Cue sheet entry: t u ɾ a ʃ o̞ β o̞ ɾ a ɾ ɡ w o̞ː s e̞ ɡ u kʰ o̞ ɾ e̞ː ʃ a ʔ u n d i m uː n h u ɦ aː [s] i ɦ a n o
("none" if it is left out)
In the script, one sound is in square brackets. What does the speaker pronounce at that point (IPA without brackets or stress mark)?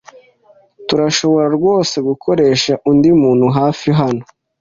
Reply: f